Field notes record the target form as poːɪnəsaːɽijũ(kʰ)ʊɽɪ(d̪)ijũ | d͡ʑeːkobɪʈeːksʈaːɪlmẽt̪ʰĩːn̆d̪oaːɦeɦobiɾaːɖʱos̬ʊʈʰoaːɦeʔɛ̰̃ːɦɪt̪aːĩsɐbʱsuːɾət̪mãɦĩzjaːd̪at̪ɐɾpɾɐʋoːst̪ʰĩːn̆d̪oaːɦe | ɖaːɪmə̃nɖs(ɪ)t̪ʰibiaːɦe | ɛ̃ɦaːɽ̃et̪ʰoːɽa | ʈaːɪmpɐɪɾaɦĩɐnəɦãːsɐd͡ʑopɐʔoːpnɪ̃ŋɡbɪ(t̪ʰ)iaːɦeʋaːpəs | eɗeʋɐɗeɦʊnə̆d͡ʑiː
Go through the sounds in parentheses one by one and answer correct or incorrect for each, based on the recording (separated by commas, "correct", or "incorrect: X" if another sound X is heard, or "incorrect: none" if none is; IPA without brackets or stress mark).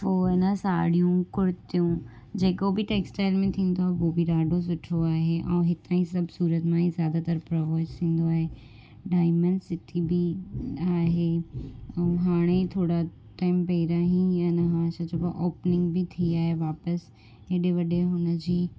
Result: incorrect: k, incorrect: t̪, correct, correct